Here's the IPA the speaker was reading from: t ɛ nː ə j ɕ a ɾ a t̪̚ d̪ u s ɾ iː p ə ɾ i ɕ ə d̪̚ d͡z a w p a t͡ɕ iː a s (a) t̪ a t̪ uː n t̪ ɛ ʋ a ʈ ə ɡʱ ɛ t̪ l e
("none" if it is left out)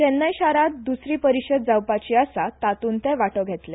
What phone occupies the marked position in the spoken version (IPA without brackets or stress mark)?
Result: a